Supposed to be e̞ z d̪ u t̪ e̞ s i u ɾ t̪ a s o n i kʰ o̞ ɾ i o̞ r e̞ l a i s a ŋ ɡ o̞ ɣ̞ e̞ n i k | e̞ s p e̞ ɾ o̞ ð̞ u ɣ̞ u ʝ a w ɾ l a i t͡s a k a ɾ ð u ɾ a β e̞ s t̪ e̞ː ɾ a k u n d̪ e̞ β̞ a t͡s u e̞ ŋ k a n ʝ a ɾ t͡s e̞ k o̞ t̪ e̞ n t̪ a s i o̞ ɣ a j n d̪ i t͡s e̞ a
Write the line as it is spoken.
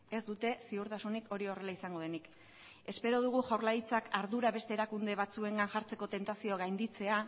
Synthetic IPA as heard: e̞ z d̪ u t̪ e̞ s i u ɾ t̪ a s u n i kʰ o̞ ɾ i o̞ r e̞ l a i s a ŋ ɡ o̞ ð̞ e̞ n i k | e̞ s p e̞ ɾ o̞ ð̞ u ɣ̞ u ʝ a w ɾ l a i t͡s a k a ɾ ð u ɾ a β e̞ s t̪ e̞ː ɾ a k u n d̪ e̞ β̞ a t͡s u e̞ ŋ ɡ a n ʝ a ɾ t͡s e̞ k o̞ t̪ e̞ n t̪ a s i o̞ ɣ a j n d̪ i t͡s e̞ a